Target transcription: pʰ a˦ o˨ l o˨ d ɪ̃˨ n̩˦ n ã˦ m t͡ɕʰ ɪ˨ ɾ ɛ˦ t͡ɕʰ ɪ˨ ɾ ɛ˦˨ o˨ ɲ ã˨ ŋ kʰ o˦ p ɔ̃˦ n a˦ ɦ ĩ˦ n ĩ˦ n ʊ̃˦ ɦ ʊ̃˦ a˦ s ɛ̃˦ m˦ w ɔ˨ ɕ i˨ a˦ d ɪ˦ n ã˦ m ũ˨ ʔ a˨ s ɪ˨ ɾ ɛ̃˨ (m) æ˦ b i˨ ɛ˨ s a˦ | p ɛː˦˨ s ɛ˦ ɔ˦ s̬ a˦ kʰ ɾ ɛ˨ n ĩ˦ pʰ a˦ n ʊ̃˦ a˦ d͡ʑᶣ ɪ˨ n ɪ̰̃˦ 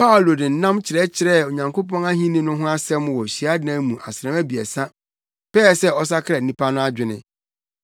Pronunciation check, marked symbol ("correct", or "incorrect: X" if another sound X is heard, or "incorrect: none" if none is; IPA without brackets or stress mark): correct